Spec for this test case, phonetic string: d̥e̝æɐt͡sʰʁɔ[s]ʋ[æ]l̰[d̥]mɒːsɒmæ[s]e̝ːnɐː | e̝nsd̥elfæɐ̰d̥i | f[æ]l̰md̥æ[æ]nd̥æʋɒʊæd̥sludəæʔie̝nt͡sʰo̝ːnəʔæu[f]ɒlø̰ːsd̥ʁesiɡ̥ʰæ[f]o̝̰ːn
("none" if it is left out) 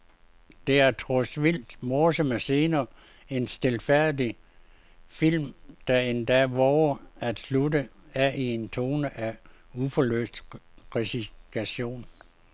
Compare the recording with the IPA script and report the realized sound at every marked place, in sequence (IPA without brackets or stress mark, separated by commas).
s, i, d̥, s, i, e, f, ɕ